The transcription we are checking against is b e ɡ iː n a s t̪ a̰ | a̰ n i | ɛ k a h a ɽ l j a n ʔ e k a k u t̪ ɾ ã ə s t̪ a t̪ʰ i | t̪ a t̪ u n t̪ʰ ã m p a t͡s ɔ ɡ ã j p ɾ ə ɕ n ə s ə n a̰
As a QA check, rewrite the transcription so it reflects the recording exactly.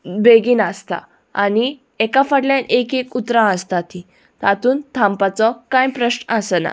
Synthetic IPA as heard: b e ɡ iː n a s t̪ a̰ | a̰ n i | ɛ k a f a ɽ l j a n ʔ e k e k u t̪ ɾ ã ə s t̪ a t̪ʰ i | t̪ a t̪ uː n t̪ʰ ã m p a t͡s ɔ k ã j p ɾ ə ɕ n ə s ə n a̰